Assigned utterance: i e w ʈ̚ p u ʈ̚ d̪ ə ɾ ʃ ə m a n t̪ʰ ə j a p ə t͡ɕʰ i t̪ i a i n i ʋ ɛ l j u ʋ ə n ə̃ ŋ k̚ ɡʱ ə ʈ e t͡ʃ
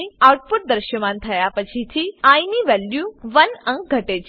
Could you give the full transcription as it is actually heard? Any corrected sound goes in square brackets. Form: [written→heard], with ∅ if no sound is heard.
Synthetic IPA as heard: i [e→a] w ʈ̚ p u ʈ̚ d̪ ə ɾ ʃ ə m a n t̪ʰ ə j a p ə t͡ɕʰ i [t̪→t̪ʰ] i a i n i ʋ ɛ l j u ʋ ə n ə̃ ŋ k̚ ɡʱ ə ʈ e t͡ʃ